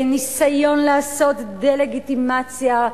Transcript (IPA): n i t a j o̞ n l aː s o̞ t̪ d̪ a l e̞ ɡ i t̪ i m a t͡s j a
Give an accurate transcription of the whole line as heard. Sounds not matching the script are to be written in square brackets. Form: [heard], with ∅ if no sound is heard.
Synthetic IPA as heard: n i [s] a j o̞ n l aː s o̞ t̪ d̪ [e] l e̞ ɡ i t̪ i m a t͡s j a